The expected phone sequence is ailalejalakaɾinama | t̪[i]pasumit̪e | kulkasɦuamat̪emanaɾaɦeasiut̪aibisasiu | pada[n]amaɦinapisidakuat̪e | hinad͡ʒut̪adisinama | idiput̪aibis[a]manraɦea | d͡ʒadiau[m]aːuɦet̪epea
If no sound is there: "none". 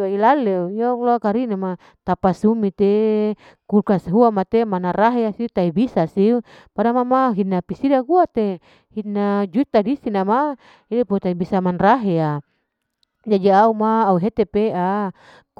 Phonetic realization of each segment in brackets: a, m, a, m

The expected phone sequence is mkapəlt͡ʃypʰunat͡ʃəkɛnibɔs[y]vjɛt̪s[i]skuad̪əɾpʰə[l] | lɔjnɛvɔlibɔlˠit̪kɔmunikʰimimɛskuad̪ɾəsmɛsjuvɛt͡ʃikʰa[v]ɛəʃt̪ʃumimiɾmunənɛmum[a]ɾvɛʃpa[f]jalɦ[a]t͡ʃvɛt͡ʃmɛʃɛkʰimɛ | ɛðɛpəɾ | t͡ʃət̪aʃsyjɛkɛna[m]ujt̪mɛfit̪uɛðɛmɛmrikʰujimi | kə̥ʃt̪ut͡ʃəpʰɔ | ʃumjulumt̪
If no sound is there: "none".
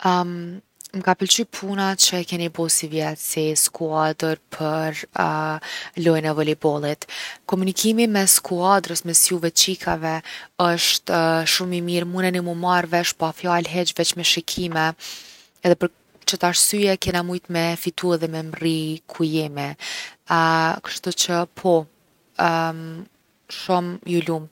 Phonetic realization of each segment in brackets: i, i, ɾ, v, a, f, ɛ, m

